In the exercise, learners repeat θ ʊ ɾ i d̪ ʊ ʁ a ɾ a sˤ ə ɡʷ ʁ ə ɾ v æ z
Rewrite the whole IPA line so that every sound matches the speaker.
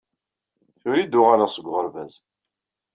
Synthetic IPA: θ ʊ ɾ i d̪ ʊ ʁ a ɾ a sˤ ə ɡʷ ʁ ə ɾ v æ z